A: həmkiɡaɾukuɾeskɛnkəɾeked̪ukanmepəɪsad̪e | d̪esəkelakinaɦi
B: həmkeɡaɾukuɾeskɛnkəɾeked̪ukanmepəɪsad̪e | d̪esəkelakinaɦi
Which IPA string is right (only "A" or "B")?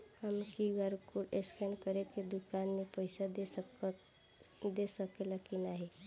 A